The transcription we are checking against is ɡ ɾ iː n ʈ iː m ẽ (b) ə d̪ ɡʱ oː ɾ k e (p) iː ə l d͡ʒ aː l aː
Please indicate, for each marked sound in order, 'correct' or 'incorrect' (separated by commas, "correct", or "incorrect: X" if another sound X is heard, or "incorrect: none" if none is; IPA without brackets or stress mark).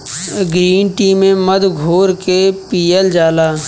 incorrect: m, correct